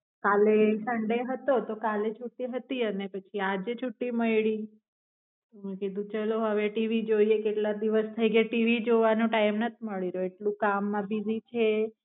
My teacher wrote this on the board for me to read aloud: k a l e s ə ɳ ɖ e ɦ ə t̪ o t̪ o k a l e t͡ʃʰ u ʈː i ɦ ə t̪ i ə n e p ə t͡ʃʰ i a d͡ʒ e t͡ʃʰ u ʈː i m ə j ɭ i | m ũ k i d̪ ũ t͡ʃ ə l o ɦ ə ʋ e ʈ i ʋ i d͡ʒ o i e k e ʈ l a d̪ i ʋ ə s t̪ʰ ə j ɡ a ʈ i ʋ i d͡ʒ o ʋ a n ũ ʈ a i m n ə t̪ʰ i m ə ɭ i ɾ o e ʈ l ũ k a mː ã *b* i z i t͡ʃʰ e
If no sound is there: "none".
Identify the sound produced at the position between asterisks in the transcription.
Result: b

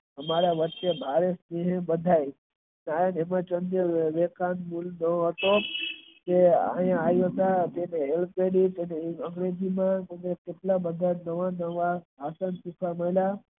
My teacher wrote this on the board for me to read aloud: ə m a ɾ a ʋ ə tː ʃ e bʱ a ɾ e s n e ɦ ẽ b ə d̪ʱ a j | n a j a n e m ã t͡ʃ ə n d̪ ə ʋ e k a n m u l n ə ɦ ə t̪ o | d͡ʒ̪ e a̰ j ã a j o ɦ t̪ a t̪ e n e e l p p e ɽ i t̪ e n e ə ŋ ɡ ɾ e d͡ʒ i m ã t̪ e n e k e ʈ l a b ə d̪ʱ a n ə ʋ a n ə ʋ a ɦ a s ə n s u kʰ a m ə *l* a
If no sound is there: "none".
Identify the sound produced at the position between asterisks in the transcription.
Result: l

